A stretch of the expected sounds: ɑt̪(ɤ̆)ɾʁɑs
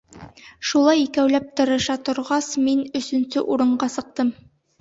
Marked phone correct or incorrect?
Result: incorrect